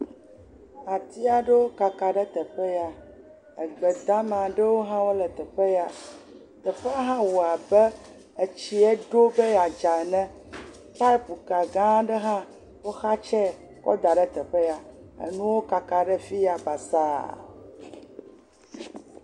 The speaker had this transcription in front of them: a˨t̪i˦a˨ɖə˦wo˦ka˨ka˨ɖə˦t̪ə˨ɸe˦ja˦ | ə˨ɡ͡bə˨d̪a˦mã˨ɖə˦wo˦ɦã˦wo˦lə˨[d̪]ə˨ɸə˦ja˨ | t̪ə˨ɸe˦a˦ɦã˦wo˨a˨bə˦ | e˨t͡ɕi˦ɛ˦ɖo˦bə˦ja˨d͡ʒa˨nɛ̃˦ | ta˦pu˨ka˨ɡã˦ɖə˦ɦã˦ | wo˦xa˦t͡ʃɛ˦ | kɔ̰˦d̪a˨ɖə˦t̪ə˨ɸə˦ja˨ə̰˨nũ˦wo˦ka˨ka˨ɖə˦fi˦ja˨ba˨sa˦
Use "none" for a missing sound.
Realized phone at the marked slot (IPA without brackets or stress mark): t̪